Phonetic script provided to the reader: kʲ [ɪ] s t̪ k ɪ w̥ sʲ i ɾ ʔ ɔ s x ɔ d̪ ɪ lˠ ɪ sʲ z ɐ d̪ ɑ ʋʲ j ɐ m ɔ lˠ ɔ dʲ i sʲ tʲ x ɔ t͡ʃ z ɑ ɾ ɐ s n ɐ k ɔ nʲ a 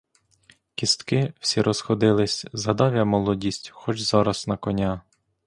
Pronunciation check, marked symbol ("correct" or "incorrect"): incorrect